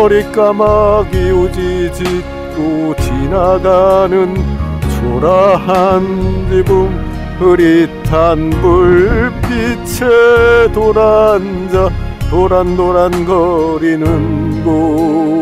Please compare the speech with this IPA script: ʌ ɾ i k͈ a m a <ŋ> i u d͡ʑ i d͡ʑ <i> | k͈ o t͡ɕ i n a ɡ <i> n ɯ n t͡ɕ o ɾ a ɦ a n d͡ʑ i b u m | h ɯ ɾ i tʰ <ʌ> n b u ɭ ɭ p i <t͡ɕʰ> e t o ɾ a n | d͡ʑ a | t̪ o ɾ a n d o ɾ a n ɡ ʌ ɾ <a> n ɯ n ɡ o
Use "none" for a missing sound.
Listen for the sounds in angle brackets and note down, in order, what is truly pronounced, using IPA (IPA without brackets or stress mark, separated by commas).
ɡ, i, a, a, t͡ɕʰ, i